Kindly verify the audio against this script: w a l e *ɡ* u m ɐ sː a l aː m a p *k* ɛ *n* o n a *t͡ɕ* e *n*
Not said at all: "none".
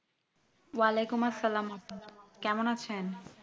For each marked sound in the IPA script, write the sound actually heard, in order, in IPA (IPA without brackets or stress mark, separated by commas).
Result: k, k, m, t͡ɕʰ, n